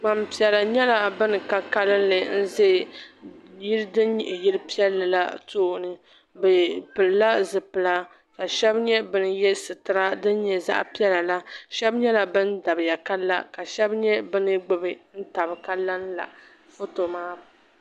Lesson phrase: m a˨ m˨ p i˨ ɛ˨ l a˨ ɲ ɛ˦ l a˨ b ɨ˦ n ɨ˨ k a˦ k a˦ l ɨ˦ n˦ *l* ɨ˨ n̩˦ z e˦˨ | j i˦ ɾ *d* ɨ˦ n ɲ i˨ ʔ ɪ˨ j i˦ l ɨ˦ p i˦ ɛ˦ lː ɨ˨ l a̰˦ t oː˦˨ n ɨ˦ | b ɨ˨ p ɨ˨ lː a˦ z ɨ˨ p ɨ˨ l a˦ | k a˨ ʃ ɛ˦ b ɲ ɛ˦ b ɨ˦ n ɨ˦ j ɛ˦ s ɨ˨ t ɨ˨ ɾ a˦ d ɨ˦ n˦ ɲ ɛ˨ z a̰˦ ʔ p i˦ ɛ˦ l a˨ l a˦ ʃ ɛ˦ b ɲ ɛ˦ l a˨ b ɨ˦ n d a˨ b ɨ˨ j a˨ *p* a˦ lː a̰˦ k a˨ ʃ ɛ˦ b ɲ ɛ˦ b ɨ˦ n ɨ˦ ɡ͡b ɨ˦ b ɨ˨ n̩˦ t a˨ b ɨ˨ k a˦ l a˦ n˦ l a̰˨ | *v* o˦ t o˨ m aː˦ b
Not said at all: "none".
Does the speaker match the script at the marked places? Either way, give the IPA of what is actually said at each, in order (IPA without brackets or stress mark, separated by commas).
l, d, k, f